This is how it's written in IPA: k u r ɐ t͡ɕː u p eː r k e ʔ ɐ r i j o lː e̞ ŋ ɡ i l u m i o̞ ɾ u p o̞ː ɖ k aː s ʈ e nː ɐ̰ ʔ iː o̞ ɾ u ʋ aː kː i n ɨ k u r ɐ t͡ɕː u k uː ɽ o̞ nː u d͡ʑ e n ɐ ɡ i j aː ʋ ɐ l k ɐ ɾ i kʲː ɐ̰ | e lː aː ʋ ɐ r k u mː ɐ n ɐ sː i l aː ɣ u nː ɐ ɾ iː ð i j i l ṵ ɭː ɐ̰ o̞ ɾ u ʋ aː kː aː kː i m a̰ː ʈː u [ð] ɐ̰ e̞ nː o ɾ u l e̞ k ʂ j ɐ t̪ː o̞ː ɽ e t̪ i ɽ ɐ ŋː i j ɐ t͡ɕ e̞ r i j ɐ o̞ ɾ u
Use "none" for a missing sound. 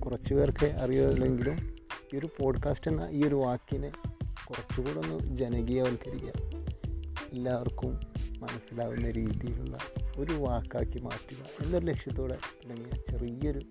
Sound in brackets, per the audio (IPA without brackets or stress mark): ɣ